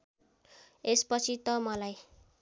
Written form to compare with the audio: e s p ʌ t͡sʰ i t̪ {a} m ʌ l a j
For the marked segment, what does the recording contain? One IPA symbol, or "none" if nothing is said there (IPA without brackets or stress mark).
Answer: ʌ